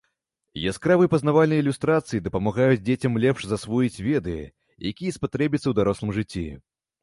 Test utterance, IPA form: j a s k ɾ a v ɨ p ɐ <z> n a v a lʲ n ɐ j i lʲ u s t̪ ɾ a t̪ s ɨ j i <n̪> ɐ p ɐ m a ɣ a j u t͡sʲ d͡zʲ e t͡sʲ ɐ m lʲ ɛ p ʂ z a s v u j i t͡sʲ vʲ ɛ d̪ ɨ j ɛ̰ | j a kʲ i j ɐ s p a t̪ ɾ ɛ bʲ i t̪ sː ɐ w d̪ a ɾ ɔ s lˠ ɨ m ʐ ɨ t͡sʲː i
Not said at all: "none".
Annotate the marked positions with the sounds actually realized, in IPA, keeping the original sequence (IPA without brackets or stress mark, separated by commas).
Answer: z, d̪